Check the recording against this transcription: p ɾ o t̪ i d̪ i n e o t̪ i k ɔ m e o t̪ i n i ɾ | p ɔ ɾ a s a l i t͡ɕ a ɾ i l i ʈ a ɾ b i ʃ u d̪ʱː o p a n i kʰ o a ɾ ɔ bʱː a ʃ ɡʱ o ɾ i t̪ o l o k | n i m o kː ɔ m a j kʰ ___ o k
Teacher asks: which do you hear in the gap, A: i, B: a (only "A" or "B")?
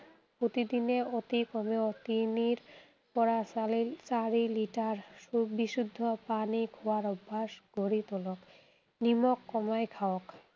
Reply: B